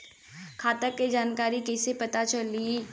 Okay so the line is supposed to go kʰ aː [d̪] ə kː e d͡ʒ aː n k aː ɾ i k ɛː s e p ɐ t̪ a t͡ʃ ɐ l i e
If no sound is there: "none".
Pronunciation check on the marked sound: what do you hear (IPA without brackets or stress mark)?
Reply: t̪